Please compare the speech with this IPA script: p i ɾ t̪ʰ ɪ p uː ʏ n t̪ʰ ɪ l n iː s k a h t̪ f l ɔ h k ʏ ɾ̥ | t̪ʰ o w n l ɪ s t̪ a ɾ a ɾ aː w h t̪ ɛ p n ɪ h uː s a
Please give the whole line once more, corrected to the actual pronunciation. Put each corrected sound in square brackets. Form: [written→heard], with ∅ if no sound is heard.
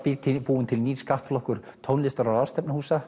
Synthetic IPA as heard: p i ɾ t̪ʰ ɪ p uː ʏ n t̪ʰ ɪ l n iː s k a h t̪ f l ɔ h k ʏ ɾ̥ | t̪ʰ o w n l ɪ s t̪ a ɾ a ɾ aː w [h→s] t̪ ɛ p n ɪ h uː s a